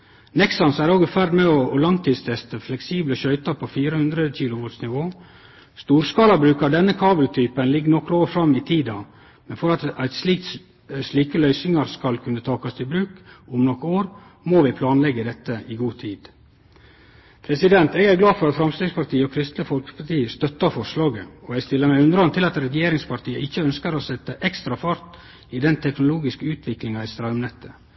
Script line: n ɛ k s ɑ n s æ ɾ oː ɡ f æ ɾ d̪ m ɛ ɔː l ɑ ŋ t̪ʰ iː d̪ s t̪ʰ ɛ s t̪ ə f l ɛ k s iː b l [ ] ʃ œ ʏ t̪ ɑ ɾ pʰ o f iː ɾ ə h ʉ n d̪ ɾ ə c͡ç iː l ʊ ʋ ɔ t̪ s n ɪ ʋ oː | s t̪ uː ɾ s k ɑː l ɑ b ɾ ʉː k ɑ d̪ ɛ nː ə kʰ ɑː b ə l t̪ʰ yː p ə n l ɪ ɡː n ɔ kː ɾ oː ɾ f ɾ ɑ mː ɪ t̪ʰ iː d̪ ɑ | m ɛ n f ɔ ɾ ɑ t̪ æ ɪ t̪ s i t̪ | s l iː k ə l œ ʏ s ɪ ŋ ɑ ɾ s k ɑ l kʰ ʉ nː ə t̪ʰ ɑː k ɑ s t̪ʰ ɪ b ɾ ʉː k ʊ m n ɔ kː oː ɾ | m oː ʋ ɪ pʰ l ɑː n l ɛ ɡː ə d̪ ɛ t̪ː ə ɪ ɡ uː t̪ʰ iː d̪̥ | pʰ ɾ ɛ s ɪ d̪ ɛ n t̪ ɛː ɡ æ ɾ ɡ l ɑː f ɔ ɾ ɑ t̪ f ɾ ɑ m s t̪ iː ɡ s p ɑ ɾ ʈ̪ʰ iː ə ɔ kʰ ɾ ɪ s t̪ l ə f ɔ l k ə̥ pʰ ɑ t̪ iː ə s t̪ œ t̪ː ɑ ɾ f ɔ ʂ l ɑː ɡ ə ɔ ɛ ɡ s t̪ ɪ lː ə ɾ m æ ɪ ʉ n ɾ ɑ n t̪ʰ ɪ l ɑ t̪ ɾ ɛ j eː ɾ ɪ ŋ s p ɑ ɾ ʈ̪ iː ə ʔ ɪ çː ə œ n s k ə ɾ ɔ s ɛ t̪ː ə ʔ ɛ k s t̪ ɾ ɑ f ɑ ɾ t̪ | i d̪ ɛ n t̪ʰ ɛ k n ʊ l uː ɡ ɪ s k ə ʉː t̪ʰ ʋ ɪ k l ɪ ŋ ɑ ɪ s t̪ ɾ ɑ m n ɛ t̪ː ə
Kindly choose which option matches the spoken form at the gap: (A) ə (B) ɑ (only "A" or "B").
A